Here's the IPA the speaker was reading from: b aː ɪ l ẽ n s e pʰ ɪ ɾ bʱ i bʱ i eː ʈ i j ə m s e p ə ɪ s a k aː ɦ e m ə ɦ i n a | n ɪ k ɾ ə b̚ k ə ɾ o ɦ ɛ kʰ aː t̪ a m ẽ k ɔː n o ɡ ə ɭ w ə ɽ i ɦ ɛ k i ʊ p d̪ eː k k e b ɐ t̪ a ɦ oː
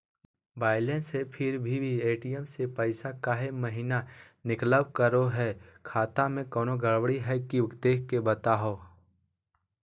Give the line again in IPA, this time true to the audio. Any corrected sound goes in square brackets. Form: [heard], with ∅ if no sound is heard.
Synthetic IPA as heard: b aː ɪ l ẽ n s e pʰ ɪ ɾ bʱ i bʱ i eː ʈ i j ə m s e p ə ɪ s a k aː ɦ e m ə ɦ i n a | n ɪ k [l] ə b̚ k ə ɾ o ɦ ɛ kʰ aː t̪ a m ẽ k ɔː n o ɡ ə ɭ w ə ɽ i ɦ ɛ k i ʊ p d̪ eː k k e b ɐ t̪ a ɦ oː